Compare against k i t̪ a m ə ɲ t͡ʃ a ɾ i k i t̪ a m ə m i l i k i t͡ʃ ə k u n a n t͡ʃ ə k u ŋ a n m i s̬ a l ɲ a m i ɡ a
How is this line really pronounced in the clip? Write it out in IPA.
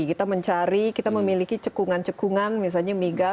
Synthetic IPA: k i t̪ a m ə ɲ t͡ʃ a ɾ i k i t̪ a m ə m i l i k i t͡ʃ ə k u ŋ a n t͡ʃ ə k u ŋ a n m i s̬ a l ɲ a m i ɡ a